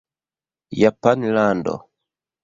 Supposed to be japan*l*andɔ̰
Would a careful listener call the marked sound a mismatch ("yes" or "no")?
no